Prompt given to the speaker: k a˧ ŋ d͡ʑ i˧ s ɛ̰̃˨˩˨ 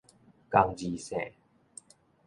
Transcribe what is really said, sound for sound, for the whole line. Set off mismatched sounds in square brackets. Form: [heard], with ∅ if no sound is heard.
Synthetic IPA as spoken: k a˧ ŋ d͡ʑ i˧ s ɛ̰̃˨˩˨